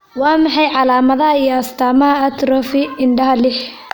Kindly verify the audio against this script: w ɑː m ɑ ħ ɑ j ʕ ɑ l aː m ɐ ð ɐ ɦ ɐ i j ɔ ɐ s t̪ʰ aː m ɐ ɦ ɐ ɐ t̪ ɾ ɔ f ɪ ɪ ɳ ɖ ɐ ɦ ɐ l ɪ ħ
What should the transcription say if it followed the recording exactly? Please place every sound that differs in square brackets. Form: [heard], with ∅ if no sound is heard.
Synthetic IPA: w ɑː m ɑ ħ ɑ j ʕ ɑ l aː m ɐ ð ɐ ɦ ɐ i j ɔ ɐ s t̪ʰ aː m ɐ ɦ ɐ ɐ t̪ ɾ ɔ f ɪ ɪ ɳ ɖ ɐ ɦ ɐ l ɪ ħ